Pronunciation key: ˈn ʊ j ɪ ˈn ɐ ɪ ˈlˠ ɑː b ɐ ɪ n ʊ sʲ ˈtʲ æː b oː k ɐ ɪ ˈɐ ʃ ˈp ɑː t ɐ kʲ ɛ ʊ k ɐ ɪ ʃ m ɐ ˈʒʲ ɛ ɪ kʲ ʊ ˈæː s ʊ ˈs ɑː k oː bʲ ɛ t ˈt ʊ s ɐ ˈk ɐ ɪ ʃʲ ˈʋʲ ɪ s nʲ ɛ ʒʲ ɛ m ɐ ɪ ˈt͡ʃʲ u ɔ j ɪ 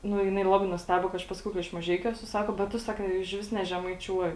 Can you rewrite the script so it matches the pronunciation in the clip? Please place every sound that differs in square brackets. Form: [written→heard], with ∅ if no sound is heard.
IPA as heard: ˈn ʊ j ɪ ˈn ɐ ɪ ˈlˠ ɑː b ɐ ɪ n ʊ sʲ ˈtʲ æː b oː k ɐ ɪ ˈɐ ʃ ˈp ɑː [t→s] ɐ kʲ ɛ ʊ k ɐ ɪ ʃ m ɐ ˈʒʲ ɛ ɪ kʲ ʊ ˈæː s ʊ ˈs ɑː k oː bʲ ɛ t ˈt ʊ s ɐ ˈk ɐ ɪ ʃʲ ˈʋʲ ɪ s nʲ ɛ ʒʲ ɛ m ɐ ɪ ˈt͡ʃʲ u ɔ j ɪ